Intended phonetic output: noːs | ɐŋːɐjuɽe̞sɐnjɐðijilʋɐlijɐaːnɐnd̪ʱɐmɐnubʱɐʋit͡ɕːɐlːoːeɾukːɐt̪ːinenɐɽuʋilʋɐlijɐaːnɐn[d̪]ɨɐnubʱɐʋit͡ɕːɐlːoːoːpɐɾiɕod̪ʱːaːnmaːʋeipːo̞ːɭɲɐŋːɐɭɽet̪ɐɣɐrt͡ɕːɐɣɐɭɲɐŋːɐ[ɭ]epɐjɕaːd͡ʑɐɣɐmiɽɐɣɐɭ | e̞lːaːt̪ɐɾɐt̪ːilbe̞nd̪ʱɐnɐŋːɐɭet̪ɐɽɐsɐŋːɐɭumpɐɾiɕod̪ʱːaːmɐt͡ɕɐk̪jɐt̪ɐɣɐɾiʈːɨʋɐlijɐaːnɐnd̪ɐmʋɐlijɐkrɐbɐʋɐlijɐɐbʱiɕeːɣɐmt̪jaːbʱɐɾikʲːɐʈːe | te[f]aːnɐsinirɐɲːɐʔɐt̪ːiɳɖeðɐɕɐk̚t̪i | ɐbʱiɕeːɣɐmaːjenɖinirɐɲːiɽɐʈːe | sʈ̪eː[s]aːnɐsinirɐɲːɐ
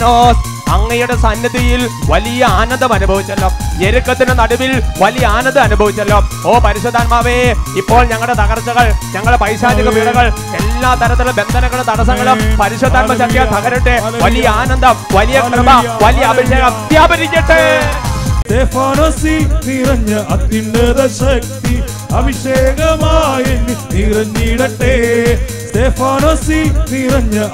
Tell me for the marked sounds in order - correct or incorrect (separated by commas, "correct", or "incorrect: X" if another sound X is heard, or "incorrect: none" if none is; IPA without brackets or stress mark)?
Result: correct, correct, correct, incorrect: f